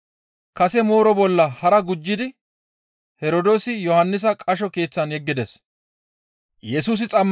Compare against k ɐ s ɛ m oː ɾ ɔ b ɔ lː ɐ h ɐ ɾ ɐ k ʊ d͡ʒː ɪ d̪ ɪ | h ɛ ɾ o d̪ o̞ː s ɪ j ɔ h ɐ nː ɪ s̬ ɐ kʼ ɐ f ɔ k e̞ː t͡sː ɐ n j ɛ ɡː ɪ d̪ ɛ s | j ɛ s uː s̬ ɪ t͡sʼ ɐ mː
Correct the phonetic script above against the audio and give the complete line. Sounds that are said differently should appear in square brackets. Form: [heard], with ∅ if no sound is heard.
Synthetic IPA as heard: k ɐ s ɛ m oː ɾ ɔ b ɔ lː ɐ h ɐ ɾ ɐ [ɡ] ʊ d͡ʒː ɪ d̪ ɪ | h ɛ ɾ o d̪ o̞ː s ɪ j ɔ h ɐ nː ɪ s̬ ɐ kʼ ɐ [ʃ] ɔ k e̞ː t͡sː ɐ n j ɛ ɡː ɪ d̪ ɛ s | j ɛ s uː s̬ ɪ t͡sʼ ɐ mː